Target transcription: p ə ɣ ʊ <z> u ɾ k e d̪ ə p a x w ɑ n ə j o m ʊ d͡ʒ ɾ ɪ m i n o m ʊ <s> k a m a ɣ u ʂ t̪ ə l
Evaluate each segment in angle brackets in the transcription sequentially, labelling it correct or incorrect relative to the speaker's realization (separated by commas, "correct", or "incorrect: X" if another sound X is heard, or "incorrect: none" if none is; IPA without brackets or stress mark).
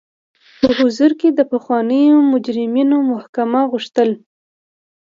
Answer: correct, incorrect: h